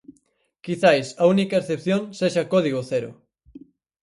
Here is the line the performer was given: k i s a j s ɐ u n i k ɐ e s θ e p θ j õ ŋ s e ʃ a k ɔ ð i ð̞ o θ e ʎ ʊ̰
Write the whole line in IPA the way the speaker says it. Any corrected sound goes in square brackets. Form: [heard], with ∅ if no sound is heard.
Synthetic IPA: k i [θ] a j s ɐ u n i k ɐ e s θ e p θ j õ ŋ s e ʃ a k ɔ ð i [ɣ̞] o θ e [ɾ] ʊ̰